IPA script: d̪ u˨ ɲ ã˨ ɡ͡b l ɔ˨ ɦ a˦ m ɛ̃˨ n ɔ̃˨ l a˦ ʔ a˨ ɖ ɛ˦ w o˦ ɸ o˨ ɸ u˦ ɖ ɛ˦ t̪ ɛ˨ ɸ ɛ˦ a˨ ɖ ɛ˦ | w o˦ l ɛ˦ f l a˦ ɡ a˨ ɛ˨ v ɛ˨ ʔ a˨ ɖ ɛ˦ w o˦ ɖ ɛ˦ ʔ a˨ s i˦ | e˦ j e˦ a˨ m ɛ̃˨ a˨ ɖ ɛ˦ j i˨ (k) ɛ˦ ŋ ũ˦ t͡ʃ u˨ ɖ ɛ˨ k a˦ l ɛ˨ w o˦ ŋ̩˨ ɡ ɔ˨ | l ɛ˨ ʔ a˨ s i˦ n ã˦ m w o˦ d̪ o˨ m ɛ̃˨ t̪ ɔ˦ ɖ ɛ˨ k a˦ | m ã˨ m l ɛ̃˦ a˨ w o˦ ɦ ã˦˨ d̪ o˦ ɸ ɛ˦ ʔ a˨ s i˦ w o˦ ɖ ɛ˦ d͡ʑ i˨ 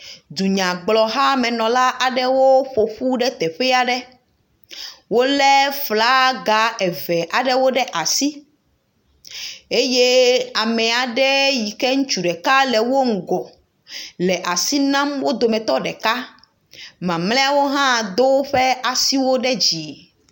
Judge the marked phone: correct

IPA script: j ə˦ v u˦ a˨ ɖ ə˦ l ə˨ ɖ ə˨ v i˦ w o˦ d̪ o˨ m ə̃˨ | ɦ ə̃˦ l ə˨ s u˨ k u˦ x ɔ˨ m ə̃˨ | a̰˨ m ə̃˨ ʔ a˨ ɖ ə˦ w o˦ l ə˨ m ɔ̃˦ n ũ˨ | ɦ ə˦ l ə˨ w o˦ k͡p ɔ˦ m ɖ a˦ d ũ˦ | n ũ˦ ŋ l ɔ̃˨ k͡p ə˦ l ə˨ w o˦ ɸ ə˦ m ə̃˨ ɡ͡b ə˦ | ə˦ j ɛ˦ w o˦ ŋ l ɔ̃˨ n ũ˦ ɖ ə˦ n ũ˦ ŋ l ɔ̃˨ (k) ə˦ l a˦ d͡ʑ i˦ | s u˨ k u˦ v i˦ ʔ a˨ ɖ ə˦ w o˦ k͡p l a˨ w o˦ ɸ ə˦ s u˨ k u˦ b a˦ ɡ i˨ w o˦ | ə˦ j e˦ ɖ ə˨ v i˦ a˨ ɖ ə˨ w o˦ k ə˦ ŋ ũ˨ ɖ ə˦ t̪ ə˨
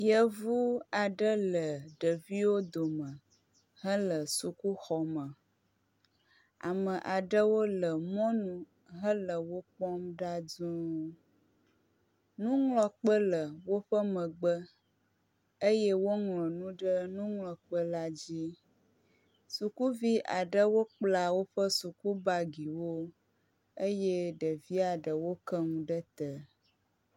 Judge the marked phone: incorrect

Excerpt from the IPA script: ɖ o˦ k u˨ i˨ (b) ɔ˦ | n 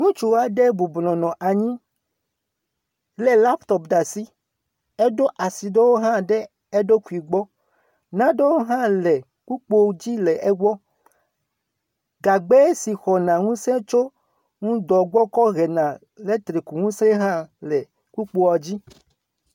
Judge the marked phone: incorrect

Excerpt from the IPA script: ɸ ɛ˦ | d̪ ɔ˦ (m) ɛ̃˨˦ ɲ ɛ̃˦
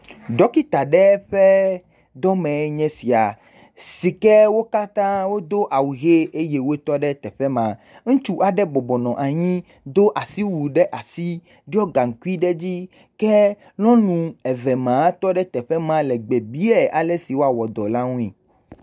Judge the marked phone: correct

